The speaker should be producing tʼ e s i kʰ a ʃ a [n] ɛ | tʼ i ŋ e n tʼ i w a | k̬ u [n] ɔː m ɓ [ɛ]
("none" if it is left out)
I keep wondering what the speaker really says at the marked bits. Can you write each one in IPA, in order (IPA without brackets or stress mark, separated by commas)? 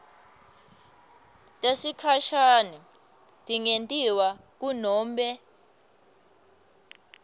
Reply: n, n, ɛ